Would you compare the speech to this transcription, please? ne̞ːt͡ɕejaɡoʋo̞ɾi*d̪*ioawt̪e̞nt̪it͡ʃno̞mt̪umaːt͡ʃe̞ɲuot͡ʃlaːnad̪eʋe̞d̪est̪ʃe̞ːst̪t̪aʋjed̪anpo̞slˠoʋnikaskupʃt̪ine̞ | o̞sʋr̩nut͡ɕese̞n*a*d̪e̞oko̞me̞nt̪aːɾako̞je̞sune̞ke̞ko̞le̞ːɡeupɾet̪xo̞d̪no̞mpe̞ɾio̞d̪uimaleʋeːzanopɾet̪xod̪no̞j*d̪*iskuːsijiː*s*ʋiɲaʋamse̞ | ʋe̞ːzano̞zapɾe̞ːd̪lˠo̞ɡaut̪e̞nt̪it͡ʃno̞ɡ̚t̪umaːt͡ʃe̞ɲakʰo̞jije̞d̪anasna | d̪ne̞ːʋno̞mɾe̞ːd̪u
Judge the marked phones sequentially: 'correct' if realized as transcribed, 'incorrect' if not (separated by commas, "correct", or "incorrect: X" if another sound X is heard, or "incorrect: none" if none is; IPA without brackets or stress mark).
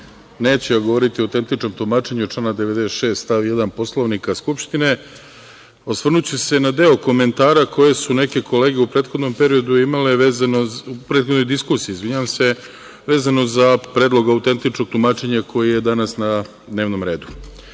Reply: incorrect: t̪, correct, correct, incorrect: z